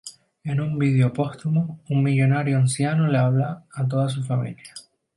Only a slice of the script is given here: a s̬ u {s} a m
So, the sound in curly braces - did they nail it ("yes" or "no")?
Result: no